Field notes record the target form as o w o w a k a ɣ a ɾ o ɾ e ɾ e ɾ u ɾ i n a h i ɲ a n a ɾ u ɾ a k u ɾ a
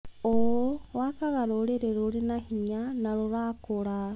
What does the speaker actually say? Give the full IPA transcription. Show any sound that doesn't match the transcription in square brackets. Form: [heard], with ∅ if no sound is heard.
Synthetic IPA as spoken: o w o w a k a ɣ a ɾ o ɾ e ɾ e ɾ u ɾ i n a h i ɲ a n a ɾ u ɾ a k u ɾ a